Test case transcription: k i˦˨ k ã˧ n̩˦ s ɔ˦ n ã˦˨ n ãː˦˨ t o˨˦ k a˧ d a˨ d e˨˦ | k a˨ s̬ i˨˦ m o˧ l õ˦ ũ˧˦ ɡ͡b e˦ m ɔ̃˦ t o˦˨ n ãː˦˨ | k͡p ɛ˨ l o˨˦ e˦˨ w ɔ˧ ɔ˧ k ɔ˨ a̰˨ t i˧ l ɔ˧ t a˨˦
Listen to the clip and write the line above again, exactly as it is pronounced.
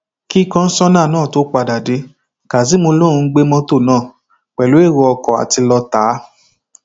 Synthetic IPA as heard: k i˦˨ k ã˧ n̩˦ s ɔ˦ n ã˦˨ n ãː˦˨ t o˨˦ k͡p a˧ d a˨ d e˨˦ | k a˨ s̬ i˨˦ m o˧ l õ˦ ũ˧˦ ɡ͡b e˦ m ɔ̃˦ t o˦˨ n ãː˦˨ | k͡p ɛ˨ l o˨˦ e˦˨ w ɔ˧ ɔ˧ k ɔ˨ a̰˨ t i˧ l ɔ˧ t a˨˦